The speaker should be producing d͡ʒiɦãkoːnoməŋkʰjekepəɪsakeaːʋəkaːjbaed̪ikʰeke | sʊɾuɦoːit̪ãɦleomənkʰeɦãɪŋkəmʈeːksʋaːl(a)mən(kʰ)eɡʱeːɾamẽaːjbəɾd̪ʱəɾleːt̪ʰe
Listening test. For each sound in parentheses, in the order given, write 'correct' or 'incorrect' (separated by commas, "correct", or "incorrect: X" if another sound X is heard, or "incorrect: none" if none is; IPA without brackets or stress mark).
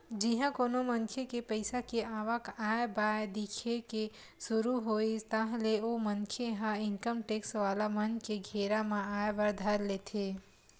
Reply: correct, incorrect: k